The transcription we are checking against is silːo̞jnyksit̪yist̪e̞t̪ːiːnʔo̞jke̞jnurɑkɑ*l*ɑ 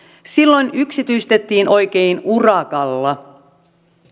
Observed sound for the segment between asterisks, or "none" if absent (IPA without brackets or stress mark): lː